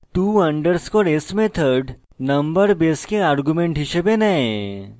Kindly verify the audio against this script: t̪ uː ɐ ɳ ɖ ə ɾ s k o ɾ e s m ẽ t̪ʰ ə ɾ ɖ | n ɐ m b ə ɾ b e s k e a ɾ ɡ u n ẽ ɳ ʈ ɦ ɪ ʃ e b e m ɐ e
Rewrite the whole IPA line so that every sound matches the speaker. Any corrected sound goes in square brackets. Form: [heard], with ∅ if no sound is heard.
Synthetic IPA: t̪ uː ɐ ɳ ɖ ə ɾ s k o ɾ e s m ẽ t̪ʰ ə ɾ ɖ | n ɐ m b ə ɾ b e s k e a ɾ ɡ u [m] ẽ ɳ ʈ ɦ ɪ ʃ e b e [n] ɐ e

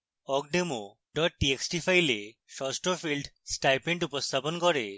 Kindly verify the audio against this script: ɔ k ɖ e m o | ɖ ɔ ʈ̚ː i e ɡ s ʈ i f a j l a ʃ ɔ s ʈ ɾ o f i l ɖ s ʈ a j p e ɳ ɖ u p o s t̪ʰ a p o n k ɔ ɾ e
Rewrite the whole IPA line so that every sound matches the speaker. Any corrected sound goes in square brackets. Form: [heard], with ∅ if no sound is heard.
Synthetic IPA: ɔ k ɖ e m o | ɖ ɔ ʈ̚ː i e [k] s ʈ i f a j l [e] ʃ ɔ s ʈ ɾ o f i l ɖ s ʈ a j p e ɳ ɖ u p o s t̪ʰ a p o n k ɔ ɾ e

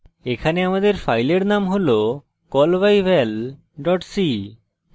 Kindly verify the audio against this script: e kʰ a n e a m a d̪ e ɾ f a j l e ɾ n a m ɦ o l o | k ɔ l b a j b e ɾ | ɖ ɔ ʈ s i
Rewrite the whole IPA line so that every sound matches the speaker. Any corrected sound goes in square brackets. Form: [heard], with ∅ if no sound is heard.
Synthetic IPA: e kʰ a n e a m a d̪ e ɾ f a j l e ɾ n a m ɦ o l o | k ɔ l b a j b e [l] | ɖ ɔ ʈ s i

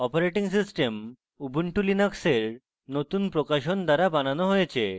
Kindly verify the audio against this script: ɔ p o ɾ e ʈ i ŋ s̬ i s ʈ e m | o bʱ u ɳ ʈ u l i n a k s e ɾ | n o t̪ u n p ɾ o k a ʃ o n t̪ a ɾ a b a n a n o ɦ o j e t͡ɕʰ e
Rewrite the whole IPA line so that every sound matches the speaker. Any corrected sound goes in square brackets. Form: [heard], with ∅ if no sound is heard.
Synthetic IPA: ɔ p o ɾ e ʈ i ŋ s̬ i s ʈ e m | [u] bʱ u ɳ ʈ u l i n a k s e ɾ | n o t̪ u n p ɾ o k a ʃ o n [d̪] a ɾ a b a n a n o ɦ o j e t͡ɕʰ e

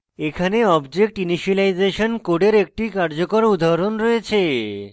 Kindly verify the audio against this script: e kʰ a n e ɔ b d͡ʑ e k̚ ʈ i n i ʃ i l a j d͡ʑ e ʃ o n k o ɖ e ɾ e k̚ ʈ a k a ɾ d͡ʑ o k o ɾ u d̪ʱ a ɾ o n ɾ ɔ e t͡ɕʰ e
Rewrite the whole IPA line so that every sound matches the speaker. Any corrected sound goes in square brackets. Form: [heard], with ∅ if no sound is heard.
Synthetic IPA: e kʰ a n e ɔ b d͡ʑ e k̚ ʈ i n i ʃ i l a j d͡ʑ e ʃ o n k o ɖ e ɾ e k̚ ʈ [i] k a ɾ d͡ʑ o k o ɾ u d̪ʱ a ɾ o n ɾ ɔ e t͡ɕʰ e

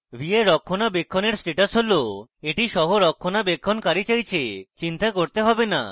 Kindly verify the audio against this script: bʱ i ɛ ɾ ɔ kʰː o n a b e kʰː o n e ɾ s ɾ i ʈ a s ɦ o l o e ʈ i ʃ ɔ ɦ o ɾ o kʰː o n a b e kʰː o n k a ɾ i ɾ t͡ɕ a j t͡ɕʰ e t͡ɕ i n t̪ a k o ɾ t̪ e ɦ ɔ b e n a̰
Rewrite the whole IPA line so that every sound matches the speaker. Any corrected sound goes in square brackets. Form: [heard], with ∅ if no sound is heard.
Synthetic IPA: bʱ i [e] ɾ ɔ kʰː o n a b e kʰː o n e ɾ s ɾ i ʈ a s ɦ o l o e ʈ i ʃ ɔ ɦ o ɾ [ɔ] kʰː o n a b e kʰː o n k a ɾ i [∅] t͡ɕ a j t͡ɕʰ e t͡ɕ i n t̪ a k o ɾ t̪ e ɦ ɔ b e n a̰

